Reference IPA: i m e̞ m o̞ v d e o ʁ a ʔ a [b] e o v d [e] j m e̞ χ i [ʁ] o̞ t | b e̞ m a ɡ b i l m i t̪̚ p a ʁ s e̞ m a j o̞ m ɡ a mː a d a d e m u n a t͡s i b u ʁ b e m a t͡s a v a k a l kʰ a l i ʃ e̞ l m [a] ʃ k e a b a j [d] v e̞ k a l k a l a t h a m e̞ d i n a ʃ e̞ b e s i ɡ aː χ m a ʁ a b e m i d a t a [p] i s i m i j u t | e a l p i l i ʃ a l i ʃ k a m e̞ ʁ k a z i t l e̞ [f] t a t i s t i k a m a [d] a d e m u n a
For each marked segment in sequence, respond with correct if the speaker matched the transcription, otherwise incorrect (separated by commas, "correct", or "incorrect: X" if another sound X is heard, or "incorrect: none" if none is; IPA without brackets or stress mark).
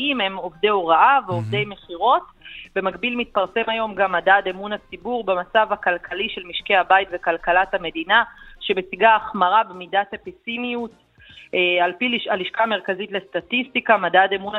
incorrect: v, correct, correct, incorrect: i, incorrect: t, correct, incorrect: s, correct